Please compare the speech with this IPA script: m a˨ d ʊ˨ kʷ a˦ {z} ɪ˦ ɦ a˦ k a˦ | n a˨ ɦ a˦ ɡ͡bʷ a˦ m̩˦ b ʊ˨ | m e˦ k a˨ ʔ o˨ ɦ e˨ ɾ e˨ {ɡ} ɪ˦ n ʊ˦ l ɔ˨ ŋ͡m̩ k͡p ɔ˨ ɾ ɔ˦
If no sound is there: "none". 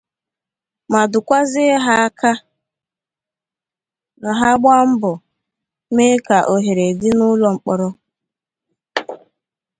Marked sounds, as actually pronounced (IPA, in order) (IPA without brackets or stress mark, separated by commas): z, d